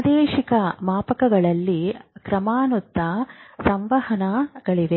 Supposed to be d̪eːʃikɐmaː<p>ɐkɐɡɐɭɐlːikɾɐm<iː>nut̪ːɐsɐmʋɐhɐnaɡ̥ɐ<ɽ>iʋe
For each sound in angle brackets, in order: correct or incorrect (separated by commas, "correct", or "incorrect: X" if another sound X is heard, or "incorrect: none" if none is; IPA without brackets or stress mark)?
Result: correct, incorrect: aː, incorrect: ɭ